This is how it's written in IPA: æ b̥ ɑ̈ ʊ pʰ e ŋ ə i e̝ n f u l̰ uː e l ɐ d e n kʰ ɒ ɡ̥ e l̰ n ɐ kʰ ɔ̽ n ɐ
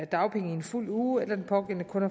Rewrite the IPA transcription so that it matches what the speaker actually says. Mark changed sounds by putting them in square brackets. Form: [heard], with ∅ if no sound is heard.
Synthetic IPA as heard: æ [d̥] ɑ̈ ʊ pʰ e ŋ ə i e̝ n f u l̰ uː e l ɐ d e n [pʰ] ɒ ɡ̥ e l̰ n [ə] kʰ ɔ̽ n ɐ